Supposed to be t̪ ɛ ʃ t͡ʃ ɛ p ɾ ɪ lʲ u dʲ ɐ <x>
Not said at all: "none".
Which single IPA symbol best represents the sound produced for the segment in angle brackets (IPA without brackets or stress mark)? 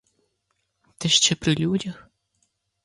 x